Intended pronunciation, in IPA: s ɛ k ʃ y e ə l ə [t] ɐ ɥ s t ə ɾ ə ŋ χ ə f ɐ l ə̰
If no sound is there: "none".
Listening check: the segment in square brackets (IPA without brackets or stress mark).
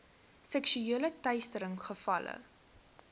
t